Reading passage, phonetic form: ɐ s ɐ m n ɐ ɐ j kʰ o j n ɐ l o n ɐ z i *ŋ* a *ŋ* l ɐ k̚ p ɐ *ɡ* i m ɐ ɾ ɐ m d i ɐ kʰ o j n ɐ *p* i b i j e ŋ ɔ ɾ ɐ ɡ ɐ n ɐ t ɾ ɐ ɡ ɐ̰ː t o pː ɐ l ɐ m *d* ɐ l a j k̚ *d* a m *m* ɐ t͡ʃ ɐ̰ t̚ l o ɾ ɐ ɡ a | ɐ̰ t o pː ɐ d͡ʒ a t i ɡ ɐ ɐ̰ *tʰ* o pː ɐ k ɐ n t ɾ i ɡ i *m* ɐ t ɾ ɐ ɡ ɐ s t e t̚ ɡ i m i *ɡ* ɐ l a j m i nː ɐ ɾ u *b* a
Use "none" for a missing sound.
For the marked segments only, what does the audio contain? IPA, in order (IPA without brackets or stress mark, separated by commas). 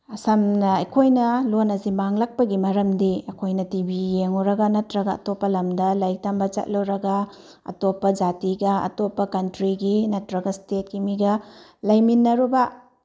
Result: m, ŋ, ɡ, t, d, t, b, t, n, ɡ, b